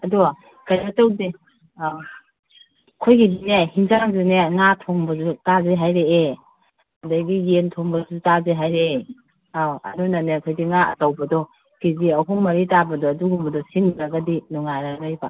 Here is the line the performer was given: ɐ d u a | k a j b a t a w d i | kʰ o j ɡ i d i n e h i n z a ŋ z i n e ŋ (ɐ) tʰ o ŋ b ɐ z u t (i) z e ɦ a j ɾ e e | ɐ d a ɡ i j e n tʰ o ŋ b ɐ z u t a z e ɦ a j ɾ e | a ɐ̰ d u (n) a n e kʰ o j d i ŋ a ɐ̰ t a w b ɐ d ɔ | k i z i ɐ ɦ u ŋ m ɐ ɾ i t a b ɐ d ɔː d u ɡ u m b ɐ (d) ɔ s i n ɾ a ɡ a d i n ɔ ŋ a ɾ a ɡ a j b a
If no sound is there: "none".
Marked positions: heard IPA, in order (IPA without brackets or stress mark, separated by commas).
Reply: a, a, n, d